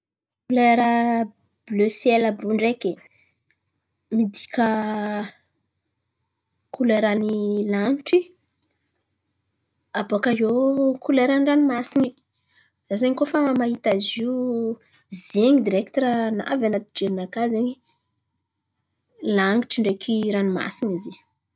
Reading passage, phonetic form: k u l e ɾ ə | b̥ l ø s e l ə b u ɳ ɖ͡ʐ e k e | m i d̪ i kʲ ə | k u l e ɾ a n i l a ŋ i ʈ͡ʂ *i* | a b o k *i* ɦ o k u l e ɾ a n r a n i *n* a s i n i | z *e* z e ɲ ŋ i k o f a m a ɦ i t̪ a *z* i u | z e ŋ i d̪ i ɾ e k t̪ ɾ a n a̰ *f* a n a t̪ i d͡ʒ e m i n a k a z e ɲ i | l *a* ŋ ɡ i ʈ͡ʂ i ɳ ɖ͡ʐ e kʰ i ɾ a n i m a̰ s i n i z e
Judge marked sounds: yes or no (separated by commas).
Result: yes, no, no, no, yes, no, yes